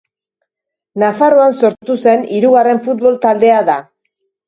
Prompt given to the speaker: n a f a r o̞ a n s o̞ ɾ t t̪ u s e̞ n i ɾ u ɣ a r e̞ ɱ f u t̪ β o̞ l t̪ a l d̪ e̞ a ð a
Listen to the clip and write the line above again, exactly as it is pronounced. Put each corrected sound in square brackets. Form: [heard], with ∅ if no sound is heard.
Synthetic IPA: n a f a r o̞ a n s o̞ ɾ t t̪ u s e̞ n i ɾ u ɣ a r e̞ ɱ f u t̪ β o̞ l t̪ a l d̪ e̞ a ð a